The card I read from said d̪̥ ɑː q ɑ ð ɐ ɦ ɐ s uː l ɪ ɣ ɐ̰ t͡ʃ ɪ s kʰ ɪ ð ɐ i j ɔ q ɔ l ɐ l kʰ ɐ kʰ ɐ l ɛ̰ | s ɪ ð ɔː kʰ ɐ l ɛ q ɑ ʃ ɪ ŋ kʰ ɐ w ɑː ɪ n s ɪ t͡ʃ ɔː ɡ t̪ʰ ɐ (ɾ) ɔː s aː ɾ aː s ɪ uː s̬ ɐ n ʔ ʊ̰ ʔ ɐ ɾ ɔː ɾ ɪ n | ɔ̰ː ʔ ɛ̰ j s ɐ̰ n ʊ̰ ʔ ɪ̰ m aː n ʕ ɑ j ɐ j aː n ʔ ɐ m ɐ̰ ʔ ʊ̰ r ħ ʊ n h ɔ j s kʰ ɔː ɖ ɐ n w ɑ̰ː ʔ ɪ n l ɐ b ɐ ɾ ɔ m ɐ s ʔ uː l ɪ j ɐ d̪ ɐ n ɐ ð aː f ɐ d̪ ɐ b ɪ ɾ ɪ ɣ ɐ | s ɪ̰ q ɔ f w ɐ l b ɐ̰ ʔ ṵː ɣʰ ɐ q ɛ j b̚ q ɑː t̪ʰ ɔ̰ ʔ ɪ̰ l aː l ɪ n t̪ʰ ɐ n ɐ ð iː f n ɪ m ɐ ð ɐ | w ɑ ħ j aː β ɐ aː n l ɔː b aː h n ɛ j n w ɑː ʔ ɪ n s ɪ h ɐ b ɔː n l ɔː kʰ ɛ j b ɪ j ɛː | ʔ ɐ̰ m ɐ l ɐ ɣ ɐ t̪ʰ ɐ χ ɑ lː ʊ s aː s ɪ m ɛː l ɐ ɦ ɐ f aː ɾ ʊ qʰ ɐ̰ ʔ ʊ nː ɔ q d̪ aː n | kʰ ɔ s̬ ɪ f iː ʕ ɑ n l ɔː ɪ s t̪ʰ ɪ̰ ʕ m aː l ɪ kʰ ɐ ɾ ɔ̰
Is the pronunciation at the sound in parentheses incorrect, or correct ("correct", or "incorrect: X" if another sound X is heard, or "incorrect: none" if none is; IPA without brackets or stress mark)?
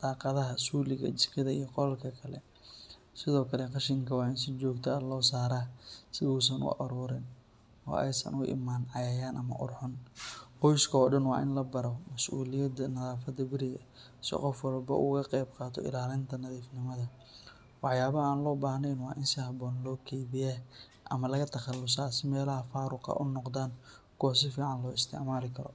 incorrect: l